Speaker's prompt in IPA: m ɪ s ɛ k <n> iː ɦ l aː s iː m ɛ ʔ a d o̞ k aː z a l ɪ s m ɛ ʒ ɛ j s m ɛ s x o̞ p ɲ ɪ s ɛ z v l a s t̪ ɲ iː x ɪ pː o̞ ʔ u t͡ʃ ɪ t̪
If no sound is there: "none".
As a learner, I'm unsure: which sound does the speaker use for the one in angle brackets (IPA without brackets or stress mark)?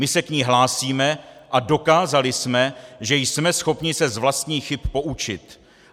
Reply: ɲ